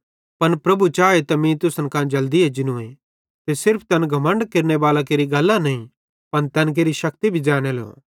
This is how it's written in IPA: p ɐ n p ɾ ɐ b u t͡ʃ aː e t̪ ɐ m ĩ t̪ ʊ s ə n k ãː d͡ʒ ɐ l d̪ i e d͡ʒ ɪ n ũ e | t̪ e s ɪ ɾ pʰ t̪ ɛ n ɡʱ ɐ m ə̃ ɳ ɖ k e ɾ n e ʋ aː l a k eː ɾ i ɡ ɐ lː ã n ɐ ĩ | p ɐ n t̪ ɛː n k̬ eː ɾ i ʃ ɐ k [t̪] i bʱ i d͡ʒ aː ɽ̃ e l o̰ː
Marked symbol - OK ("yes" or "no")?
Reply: yes